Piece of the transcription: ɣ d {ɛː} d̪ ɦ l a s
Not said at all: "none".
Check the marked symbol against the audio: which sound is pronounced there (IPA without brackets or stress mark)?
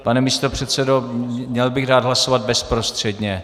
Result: aː